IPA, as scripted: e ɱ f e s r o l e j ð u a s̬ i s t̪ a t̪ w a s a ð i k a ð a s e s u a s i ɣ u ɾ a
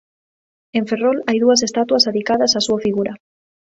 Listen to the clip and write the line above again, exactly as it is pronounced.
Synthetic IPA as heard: e ɱ f e r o l a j ð u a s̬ e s t̪ a t̪ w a s a ð i k a ð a s a s u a f i ɣ u ɾ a